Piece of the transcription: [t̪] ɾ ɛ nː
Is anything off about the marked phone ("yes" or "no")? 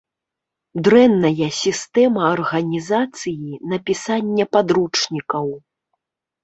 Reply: yes